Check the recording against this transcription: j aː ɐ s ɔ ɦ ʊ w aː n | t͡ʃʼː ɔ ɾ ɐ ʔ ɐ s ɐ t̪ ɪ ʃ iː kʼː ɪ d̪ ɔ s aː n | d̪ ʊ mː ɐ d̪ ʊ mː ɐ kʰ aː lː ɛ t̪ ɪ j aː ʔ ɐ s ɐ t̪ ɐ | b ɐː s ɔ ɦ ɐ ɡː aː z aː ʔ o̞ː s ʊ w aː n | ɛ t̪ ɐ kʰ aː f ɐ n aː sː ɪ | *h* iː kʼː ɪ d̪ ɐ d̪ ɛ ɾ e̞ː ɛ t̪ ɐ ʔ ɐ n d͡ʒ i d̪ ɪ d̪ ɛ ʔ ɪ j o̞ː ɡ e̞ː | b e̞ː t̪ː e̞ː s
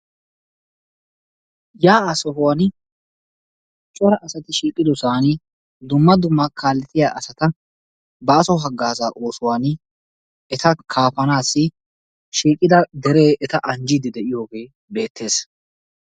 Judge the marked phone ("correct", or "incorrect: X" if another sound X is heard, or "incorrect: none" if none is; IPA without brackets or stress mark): incorrect: ʃ